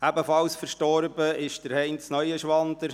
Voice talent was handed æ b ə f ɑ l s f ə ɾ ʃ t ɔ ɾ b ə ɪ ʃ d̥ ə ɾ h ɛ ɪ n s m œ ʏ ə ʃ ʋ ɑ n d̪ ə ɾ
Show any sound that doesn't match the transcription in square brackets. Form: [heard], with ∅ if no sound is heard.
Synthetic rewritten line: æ b ə f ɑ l s f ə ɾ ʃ t ɔ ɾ b ə ɪ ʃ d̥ ə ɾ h ɛ ɪ n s [n] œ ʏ ə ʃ ʋ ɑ n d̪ ə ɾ